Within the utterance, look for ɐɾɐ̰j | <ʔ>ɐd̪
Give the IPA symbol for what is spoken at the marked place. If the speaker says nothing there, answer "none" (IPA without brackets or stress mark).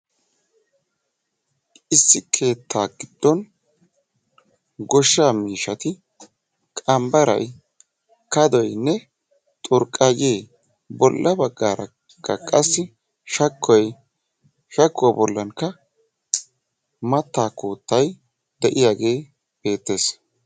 k